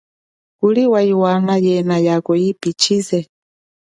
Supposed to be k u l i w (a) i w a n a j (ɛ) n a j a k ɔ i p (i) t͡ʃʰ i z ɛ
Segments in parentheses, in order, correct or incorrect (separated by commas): correct, correct, correct